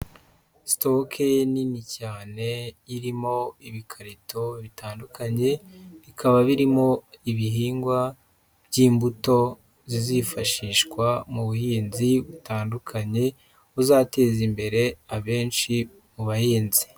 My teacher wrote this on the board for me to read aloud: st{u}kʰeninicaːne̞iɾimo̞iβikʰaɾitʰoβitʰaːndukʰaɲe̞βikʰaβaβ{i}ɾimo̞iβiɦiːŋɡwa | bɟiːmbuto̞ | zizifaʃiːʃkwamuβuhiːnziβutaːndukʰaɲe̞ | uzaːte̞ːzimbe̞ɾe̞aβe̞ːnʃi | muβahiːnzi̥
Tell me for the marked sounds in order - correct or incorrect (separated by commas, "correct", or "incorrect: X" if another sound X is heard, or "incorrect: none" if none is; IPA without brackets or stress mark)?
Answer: incorrect: o, correct